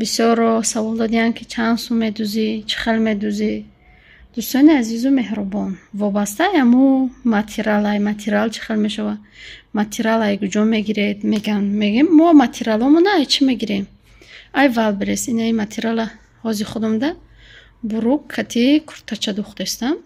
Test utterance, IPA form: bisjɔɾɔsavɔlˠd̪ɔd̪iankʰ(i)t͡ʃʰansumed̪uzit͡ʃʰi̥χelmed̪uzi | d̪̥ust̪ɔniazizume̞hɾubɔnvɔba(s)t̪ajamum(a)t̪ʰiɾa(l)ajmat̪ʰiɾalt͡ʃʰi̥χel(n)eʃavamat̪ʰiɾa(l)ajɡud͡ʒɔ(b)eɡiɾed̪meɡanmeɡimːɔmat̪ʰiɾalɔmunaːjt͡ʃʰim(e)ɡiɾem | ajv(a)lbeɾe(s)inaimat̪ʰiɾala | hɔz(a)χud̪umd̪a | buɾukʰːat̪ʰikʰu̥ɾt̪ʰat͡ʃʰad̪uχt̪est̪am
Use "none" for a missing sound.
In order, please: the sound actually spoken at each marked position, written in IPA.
i, s, a, l, m, l, m, e, a, s, i

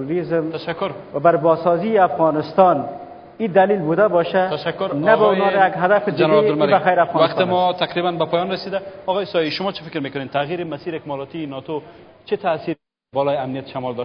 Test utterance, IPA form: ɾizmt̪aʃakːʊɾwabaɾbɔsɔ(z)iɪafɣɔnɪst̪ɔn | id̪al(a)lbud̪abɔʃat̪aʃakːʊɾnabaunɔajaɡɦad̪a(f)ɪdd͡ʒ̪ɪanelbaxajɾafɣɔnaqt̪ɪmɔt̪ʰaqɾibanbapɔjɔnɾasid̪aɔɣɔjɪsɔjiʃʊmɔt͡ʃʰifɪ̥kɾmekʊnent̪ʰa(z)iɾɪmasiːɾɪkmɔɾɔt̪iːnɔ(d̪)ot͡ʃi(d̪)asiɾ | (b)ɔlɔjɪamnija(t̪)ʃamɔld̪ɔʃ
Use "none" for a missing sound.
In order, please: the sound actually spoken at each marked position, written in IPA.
z, i, f, ɣ, t̪, t̪, b, t̪

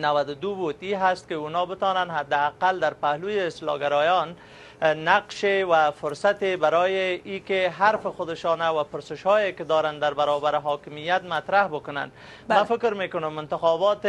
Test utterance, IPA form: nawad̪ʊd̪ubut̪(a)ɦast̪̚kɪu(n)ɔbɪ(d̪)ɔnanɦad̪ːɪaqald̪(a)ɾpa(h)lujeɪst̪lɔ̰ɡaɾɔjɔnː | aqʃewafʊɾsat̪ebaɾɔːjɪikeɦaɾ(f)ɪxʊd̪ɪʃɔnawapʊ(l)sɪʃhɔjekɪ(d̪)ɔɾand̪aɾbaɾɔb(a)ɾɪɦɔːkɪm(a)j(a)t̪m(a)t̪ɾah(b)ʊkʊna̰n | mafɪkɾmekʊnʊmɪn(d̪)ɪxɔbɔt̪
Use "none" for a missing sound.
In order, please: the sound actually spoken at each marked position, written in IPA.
i, n, t̪, a, h, f, ɾ, d̪, a, i, a, a, b, t̪

